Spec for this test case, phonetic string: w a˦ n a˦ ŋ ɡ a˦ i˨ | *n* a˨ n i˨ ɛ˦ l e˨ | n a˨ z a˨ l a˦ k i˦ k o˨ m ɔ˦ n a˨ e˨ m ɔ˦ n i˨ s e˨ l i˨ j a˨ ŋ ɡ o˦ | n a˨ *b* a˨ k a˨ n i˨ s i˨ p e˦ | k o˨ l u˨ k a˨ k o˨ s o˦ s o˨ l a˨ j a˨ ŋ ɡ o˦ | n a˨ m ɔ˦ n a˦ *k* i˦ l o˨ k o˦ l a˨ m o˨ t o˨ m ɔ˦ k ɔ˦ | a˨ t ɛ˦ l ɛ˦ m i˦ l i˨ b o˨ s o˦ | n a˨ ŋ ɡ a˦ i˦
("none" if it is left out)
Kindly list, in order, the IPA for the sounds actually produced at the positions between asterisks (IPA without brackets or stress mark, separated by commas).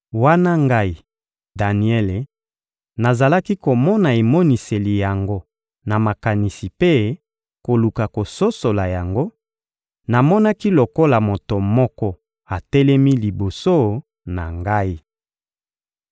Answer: d, m, k